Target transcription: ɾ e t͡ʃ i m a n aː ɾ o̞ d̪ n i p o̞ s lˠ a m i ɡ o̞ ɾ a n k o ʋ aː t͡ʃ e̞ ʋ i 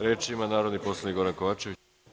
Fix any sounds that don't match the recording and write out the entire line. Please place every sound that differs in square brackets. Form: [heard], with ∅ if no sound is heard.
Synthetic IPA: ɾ e t͡ʃ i m a n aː ɾ o̞ d̪ n i p o̞ s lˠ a [n] i ɡ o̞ ɾ a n k o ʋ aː t͡ʃ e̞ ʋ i